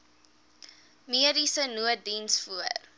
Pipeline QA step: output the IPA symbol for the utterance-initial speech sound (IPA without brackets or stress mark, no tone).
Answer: m